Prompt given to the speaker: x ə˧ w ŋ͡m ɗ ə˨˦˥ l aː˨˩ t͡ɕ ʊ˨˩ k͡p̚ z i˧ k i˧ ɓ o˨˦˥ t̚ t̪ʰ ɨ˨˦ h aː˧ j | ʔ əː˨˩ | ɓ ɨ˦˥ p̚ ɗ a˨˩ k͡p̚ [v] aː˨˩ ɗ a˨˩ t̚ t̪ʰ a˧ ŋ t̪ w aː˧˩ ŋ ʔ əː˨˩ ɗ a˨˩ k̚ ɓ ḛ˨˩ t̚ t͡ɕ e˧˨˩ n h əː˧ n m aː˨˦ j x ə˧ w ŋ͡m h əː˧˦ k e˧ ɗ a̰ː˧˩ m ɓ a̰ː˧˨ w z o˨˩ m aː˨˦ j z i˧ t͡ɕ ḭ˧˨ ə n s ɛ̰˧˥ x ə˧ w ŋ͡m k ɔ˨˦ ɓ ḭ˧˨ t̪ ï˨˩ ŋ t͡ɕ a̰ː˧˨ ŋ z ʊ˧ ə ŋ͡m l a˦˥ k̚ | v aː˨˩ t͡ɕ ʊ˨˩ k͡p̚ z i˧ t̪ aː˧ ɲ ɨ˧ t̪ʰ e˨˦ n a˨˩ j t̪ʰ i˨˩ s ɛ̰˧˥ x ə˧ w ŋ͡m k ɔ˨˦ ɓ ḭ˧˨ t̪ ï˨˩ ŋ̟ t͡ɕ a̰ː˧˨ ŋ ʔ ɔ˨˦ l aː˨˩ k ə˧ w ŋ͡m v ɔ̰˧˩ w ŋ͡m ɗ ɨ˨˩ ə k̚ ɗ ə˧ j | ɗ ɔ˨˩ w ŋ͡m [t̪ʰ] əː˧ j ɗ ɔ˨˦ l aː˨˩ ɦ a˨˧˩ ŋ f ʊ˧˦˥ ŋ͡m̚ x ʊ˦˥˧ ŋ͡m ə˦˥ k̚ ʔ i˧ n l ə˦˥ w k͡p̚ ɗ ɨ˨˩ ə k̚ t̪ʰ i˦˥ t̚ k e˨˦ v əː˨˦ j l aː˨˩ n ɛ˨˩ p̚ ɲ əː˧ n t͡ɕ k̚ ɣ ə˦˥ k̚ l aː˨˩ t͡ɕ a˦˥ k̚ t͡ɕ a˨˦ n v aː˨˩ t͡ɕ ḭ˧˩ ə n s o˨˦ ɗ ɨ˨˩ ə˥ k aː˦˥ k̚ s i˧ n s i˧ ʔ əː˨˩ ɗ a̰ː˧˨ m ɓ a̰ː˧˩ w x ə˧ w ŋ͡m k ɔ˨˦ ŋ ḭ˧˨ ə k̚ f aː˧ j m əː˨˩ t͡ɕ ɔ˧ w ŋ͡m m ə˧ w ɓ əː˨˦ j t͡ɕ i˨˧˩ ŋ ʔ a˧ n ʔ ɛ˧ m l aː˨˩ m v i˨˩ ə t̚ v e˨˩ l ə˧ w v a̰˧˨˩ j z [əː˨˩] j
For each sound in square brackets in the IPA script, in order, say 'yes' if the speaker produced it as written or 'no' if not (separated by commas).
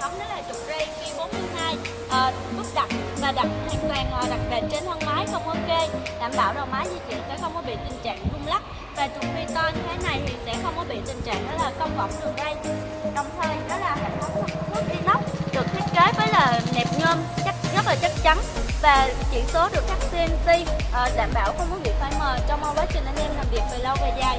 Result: yes, yes, no